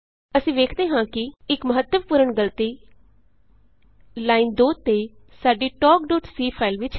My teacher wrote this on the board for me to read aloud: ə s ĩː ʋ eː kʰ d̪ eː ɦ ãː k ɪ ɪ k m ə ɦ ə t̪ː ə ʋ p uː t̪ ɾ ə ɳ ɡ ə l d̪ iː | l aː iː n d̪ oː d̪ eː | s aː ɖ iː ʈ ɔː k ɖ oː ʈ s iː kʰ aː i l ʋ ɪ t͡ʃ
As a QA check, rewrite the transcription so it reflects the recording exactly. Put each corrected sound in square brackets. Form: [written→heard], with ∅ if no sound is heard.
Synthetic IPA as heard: ə s ĩː ʋ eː kʰ d̪ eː ɦ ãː k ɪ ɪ k m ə ɦ ə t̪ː ə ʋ p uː [t̪→∅] ɾ ə ɳ ɡ ə l [d̪→t̪] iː | l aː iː n d̪ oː [d̪→t̪] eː | s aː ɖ iː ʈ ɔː k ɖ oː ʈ s iː [kʰ→pʰ] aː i l ʋ ɪ t͡ʃ